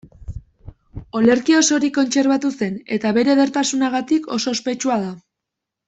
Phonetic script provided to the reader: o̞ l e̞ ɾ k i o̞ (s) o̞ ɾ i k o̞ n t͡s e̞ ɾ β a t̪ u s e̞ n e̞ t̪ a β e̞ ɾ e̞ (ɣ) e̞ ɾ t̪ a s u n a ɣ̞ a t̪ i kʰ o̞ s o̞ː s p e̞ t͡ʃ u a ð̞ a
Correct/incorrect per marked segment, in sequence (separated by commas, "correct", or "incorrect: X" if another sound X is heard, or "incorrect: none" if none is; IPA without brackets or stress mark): correct, incorrect: ð